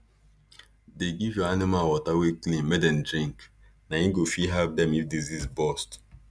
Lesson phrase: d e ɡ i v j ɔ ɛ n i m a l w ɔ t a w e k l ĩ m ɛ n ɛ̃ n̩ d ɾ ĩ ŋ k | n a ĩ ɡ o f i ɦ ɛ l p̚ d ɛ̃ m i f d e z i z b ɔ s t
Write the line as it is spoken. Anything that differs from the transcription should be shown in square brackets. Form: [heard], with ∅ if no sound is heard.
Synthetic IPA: d e ɡ i v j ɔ [a] n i m a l w ɔ t a w e k l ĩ m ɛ [d] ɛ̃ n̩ d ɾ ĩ ŋ k | n a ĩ ɡ o f i ɦ ɛ l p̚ d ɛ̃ m i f d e z i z b ɔ s t